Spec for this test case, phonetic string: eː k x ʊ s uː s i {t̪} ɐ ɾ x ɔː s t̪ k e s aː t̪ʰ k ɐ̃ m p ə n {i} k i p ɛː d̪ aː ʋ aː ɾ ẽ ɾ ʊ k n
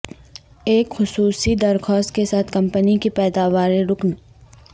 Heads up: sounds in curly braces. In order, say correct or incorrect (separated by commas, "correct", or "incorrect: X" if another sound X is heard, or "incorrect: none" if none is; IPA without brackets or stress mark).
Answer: incorrect: d̪, correct